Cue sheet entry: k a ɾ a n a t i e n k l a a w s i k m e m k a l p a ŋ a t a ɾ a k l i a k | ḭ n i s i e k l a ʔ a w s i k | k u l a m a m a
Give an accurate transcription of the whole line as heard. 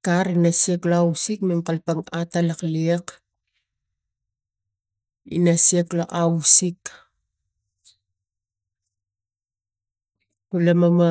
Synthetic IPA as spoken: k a ɾ i n a s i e k l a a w s i k m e m k a l p a ŋ a t a l a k l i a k | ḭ n a s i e k l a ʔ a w s i k | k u l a m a m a